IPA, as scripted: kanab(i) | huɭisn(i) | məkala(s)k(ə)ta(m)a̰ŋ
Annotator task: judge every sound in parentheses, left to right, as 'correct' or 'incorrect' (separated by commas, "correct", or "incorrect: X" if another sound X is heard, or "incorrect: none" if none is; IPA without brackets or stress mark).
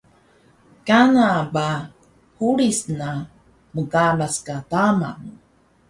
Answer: incorrect: a, incorrect: a, correct, incorrect: a, correct